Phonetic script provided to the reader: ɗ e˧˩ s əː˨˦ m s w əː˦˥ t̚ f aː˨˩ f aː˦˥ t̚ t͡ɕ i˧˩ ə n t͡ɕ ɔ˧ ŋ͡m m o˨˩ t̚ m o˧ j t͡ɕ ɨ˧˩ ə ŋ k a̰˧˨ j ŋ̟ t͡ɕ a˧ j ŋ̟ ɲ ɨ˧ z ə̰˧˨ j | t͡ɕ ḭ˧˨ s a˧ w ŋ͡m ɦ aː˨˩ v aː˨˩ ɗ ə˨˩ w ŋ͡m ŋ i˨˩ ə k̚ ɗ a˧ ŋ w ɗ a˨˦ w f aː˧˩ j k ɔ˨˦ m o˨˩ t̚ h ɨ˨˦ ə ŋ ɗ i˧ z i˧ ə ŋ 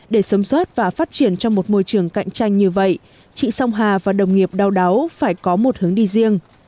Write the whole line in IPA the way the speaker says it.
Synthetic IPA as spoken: ɗ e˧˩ s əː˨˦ m s w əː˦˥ t̚ v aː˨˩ f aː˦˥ t̚ t͡ɕ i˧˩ ə n t͡ɕ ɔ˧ ŋ͡m m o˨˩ t̚ m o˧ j t͡ɕ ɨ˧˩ ə ŋ k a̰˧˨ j ŋ̟ t͡ɕ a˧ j ŋ̟ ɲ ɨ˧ v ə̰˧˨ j | t͡ɕ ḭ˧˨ s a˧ w ŋ͡m ɦ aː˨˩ v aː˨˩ ɗ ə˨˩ w ŋ͡m ŋ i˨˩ ə p̚ ɗ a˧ w ɗ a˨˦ w f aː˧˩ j k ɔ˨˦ m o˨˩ t̚ h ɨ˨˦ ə ŋ ɗ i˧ z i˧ ə ŋ